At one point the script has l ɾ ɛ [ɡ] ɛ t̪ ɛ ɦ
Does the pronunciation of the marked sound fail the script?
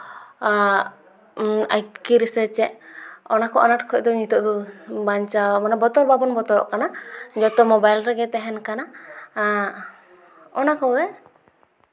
no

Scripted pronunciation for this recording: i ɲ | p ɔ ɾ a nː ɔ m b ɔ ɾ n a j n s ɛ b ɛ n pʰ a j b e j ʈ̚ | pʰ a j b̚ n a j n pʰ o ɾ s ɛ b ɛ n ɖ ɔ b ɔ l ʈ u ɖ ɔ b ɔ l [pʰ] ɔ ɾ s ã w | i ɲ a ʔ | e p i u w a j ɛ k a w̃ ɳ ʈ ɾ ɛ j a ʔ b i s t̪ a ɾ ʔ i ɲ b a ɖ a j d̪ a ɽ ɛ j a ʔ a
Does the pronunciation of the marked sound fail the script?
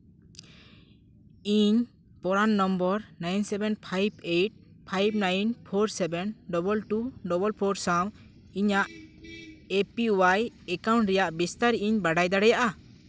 no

